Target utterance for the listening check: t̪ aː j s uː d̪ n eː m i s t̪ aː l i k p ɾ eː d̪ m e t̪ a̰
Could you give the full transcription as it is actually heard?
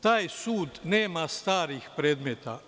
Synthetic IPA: t̪ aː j s uː d̪ n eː m a s t̪ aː ɾ i x p ɾ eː d̪ m e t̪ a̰